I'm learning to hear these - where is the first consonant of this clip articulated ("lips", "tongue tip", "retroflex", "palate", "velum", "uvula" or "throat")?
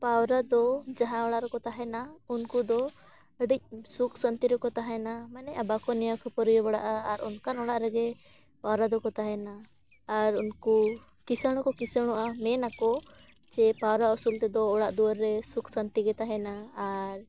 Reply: lips